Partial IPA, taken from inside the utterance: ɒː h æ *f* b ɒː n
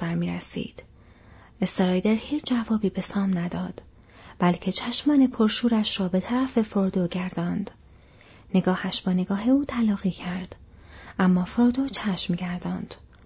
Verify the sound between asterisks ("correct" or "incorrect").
incorrect